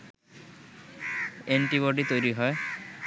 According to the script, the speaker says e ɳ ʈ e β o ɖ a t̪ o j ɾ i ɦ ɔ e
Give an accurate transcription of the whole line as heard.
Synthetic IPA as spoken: e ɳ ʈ i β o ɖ i t̪ o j ɾ i ɦ ɔ e